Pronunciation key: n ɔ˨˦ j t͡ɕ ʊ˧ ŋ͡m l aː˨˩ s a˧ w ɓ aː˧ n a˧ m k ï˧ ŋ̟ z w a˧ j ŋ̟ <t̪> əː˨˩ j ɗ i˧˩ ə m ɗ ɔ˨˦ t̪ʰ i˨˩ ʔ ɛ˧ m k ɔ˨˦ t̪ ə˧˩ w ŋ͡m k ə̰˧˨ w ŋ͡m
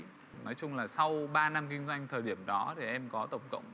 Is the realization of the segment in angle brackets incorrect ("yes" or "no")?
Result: yes